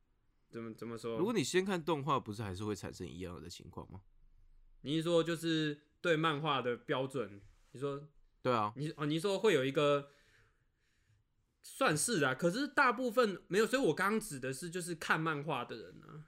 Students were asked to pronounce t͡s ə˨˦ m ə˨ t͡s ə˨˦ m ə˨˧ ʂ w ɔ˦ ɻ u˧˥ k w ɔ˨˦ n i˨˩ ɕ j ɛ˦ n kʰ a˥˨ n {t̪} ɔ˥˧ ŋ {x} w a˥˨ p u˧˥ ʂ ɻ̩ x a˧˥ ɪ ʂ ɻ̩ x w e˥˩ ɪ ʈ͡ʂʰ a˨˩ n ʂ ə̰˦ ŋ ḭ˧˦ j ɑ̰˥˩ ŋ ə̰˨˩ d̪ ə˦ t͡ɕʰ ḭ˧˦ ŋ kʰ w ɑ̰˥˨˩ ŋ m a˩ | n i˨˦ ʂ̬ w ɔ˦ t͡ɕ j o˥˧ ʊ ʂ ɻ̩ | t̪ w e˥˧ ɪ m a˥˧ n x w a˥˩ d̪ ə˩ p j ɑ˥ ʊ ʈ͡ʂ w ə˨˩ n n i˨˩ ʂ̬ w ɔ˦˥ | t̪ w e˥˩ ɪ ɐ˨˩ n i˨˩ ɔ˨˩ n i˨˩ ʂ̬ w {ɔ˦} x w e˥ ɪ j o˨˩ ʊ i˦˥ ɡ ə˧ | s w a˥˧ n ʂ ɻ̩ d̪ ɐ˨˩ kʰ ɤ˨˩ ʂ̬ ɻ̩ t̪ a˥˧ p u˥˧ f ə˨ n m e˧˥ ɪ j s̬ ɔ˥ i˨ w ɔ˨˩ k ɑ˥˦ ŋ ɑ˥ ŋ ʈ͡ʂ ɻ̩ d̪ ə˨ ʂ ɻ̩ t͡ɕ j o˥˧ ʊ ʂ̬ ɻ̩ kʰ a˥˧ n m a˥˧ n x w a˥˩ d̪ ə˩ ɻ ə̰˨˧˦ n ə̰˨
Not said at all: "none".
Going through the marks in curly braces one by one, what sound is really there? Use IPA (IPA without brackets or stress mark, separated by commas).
t̪, x, ɔ˦